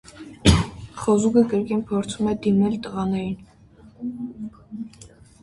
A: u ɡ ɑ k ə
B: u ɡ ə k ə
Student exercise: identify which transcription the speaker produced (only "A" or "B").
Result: B